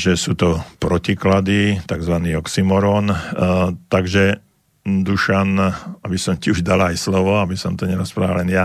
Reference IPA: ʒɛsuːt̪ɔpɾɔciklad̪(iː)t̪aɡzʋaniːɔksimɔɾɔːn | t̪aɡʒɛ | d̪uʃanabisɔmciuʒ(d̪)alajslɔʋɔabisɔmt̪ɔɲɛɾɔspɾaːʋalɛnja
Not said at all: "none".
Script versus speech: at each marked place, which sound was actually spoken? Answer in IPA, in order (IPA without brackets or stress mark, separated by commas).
i, d̪